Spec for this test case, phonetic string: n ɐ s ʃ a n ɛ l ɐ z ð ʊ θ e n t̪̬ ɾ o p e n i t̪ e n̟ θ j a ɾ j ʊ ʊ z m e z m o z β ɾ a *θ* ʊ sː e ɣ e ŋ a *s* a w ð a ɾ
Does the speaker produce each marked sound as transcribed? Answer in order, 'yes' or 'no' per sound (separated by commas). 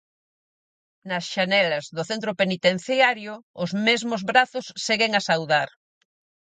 yes, yes